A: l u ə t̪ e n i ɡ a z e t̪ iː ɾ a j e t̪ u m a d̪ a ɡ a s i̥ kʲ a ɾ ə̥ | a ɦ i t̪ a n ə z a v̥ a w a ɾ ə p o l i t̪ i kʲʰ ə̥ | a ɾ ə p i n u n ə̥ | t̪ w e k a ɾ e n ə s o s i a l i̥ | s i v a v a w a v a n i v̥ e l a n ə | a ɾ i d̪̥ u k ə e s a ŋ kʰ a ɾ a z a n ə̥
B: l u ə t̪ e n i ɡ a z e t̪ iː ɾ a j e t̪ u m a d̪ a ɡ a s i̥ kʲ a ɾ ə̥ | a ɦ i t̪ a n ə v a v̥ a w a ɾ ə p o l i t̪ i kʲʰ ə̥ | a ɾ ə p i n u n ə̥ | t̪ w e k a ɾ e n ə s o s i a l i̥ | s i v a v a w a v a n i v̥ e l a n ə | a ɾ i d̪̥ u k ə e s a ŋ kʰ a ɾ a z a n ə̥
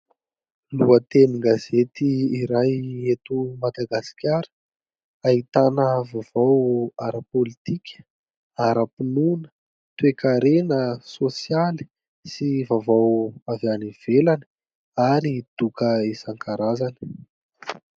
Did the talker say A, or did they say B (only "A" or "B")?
B